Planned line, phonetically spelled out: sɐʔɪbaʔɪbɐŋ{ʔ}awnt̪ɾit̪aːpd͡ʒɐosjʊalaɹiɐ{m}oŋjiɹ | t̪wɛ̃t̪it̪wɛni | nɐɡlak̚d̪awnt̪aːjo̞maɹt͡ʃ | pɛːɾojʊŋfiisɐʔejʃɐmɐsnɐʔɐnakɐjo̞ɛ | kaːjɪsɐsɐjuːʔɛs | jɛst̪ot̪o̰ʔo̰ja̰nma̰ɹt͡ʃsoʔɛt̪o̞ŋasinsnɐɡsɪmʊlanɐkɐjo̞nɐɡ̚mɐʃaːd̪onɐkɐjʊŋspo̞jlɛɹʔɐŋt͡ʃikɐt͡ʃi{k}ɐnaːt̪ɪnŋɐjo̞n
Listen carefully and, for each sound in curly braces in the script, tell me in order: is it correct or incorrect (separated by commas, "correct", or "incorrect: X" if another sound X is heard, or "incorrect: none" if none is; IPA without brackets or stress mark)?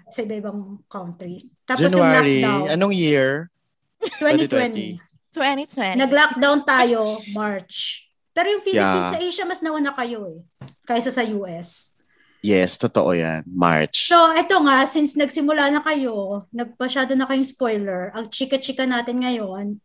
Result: incorrect: k, incorrect: n, correct